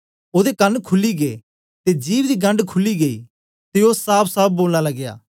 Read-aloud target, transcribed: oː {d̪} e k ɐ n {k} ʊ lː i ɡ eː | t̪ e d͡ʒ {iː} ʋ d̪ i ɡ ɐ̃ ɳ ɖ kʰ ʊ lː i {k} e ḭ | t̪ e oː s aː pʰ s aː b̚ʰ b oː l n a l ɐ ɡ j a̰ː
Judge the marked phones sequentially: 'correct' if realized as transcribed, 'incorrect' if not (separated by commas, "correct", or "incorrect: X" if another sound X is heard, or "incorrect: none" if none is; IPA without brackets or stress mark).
correct, incorrect: kʰ, correct, incorrect: ɡ